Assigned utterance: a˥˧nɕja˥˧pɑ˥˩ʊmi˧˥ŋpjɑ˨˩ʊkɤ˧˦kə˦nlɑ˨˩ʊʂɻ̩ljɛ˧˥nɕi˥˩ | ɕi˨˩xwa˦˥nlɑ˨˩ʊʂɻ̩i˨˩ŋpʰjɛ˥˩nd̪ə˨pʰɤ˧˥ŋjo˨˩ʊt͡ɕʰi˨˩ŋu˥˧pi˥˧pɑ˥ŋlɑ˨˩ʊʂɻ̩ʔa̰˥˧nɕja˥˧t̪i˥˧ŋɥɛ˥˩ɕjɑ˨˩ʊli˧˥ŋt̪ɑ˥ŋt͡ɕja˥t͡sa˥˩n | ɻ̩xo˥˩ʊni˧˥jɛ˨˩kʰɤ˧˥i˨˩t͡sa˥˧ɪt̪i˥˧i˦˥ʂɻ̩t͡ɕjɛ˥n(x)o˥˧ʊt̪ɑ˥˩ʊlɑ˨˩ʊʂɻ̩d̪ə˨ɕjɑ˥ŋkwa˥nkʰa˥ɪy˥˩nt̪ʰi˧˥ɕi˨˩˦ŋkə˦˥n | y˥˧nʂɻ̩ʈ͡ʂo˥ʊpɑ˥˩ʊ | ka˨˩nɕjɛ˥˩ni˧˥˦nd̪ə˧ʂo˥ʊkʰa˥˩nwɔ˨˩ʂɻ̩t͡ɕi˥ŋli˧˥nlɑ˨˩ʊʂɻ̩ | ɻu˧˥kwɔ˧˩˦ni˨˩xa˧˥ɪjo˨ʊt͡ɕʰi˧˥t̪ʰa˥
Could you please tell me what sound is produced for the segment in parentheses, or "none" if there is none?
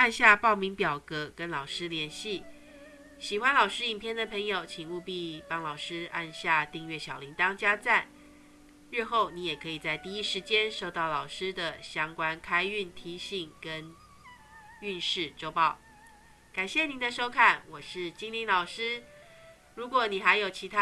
ʂ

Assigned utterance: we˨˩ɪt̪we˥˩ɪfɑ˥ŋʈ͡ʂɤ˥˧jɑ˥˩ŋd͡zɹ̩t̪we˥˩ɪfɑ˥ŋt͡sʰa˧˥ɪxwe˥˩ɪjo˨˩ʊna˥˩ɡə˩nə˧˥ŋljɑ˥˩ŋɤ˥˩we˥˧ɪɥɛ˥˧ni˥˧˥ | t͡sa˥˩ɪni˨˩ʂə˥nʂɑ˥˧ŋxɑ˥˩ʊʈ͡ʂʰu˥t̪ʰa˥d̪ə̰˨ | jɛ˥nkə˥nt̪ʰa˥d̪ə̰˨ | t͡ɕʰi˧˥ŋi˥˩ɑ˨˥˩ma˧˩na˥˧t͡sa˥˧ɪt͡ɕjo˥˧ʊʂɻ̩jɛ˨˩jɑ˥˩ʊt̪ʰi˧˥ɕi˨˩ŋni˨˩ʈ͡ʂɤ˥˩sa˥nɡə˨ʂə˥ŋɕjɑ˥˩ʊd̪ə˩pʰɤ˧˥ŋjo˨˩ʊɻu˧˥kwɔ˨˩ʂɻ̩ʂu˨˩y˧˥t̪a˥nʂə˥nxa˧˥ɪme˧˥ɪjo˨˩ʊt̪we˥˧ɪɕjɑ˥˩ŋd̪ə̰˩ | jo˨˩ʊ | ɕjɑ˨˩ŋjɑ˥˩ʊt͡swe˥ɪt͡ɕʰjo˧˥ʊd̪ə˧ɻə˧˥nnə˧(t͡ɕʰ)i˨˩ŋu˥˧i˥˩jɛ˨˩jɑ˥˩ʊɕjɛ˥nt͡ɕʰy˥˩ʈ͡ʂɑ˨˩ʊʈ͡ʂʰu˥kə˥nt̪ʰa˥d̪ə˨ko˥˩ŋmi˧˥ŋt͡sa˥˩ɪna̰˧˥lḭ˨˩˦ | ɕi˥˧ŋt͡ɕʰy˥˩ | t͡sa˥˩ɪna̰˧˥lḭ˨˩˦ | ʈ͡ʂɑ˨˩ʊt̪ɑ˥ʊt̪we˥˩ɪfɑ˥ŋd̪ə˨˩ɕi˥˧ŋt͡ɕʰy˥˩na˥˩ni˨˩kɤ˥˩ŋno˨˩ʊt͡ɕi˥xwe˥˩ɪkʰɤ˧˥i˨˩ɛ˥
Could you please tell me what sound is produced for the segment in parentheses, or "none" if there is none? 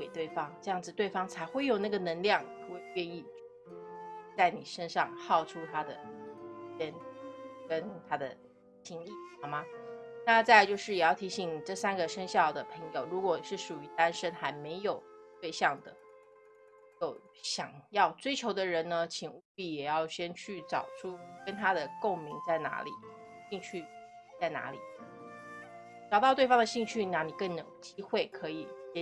t͡ɕʰ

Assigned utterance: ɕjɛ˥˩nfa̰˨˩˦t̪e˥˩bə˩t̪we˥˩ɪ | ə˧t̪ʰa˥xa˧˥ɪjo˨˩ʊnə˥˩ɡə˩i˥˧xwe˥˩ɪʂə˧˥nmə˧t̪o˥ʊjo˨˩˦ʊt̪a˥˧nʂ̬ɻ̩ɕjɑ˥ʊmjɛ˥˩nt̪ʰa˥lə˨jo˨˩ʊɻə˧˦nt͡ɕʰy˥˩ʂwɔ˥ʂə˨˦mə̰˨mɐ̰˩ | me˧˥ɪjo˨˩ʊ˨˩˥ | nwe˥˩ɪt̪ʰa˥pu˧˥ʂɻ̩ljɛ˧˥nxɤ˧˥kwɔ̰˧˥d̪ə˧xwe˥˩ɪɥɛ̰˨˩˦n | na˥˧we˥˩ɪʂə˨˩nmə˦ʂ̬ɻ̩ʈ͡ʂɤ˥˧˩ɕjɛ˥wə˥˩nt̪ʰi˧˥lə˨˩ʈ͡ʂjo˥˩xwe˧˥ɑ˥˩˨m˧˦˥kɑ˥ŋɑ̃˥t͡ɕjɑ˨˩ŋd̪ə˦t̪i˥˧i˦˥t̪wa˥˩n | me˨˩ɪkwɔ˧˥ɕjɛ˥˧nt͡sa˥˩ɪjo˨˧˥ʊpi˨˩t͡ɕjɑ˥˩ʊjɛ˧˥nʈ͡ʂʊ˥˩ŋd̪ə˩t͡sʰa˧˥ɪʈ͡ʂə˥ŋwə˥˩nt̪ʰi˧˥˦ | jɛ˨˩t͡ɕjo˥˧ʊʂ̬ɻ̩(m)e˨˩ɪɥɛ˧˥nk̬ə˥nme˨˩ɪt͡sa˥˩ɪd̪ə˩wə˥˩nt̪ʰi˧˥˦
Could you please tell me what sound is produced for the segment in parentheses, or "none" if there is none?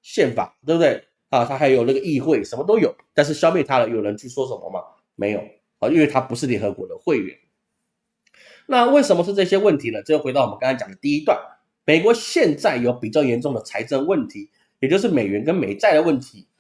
m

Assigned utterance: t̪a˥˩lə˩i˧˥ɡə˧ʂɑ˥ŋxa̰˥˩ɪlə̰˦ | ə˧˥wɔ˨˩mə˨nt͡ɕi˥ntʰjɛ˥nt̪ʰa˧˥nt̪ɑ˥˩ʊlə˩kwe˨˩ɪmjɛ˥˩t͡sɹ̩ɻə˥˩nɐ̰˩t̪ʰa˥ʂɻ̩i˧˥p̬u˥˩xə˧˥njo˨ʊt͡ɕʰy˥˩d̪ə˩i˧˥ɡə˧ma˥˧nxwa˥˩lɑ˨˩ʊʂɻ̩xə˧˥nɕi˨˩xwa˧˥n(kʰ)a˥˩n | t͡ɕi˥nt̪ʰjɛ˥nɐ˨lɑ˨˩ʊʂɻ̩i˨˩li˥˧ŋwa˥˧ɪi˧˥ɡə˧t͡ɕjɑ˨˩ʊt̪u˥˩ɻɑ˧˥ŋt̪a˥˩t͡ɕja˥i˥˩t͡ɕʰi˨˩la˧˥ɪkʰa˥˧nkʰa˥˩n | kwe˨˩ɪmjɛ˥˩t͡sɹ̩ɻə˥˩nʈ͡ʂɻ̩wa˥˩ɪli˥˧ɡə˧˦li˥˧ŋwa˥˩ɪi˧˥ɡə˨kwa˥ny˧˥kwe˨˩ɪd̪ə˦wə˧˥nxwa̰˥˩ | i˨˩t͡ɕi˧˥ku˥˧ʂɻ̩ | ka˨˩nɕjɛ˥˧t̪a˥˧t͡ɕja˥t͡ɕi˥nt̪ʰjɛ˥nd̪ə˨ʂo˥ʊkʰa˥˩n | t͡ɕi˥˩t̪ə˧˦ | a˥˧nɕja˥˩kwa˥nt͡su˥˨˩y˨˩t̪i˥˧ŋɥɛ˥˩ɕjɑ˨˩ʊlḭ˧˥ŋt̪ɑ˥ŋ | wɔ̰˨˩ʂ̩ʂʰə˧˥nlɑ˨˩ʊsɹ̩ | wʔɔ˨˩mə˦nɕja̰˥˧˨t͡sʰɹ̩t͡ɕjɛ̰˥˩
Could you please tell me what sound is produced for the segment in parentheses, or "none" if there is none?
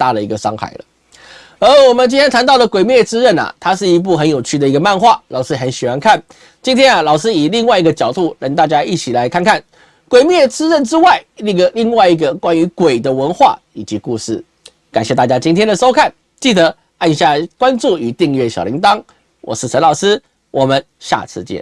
kʰ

